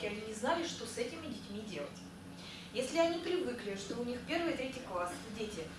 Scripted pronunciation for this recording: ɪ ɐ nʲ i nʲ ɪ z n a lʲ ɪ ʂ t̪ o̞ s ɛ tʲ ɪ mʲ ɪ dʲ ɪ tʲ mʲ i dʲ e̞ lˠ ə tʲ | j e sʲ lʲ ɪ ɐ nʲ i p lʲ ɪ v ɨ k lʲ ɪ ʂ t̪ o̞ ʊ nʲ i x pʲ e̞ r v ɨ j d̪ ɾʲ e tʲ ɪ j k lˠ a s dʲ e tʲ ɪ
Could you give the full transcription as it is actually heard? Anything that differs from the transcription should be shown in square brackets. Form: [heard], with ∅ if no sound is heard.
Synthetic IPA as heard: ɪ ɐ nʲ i nʲ ɪ z n a lʲ ɪ ʂ t̪ o̞ s ɛ tʲ ɪ mʲ ɪ dʲ ɪ tʲ mʲ i dʲ e̞ lˠ ə tʲ | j e sʲ lʲ ɪ ɐ nʲ i p [ɾʲ] ɪ v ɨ k lʲ ɪ ʂ t̪ o̞ ʊ nʲ i x pʲ e̞ r v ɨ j [t̪] ɾʲ e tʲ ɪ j k lˠ a s dʲ e tʲ ɪ